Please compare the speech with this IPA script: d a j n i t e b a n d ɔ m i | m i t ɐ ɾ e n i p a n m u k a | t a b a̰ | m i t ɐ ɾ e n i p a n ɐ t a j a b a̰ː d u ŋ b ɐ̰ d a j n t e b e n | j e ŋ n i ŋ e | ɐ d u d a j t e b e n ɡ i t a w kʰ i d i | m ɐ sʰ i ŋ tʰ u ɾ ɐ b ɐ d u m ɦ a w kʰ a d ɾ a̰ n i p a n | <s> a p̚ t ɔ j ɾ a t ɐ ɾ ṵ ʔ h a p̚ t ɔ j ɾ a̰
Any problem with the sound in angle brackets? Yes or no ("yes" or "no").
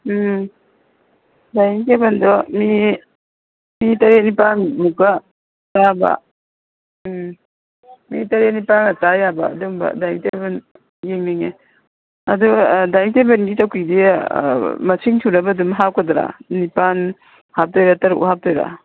yes